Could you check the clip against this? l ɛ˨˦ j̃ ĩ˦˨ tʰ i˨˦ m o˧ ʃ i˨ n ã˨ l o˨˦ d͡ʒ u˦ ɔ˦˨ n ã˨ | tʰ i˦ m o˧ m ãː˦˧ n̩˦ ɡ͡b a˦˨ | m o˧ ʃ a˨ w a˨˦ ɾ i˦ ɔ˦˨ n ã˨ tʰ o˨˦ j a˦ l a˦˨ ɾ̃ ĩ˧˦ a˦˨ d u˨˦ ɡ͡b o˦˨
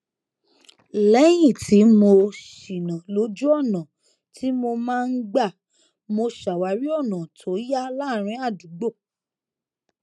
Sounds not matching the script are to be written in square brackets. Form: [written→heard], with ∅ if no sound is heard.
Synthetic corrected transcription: l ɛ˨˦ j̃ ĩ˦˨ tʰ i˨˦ m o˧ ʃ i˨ n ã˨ l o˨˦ d͡ʒ u˦ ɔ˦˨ n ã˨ | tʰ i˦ m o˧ m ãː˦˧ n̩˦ ɡ͡b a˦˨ | m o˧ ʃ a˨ w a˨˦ ɾ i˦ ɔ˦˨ n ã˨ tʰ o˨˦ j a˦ l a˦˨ ɾ̃ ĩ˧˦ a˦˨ d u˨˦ ɡ͡b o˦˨